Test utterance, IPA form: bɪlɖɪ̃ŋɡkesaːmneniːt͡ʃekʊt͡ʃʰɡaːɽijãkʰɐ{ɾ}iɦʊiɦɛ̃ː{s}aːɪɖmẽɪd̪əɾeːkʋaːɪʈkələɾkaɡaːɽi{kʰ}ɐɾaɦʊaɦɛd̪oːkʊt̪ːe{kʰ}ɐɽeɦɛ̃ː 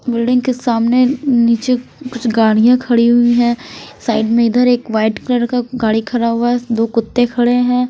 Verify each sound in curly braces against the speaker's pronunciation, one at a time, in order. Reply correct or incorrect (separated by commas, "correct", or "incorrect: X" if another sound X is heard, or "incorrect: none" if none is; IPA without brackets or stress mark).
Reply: incorrect: ɽ, correct, correct, correct